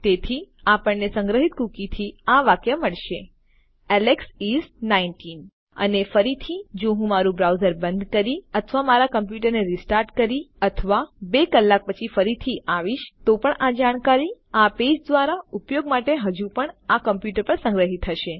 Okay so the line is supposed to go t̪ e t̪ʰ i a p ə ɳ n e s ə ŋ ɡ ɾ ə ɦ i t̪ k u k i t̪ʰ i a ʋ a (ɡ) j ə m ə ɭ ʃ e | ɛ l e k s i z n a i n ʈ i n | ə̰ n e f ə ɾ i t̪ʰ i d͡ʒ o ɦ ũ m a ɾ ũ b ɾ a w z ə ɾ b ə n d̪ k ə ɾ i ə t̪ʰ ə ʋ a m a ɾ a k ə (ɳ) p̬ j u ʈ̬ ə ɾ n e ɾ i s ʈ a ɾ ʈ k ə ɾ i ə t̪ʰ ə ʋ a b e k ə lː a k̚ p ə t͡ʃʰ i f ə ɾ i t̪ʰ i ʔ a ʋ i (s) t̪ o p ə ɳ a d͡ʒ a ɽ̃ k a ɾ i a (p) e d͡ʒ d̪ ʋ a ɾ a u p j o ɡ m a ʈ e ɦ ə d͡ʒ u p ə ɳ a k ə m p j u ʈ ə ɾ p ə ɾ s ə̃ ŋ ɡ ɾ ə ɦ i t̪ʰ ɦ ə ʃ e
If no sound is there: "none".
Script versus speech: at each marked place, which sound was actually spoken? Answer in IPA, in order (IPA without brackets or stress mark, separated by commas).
k, m, ʃ, p